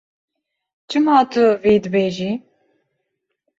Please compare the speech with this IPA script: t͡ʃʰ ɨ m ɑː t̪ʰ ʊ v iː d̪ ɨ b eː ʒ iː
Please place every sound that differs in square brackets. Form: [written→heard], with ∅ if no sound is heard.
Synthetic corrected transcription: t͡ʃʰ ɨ m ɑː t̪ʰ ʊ v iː d̪ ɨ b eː ʒ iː